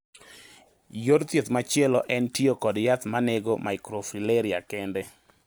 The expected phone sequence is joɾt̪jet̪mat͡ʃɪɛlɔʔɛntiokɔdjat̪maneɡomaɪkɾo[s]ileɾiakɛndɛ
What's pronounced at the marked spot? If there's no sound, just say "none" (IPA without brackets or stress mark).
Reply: f